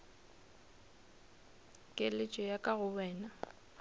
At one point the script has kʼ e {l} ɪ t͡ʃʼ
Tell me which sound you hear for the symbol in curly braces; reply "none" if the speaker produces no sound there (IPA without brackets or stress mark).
l